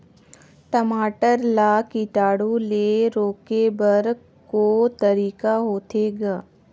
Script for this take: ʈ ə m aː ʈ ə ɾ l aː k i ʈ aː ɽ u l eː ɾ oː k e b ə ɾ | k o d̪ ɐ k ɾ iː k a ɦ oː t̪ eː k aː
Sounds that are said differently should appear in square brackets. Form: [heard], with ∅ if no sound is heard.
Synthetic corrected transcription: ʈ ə m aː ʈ ə ɾ l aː k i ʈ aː ɽ u l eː ɾ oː k e b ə ɾ | k o [t̪] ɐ [∅] ɾ iː k a ɦ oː t̪ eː [ɡ] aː